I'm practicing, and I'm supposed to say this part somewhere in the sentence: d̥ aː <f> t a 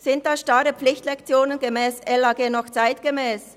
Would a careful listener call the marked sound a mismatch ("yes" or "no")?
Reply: yes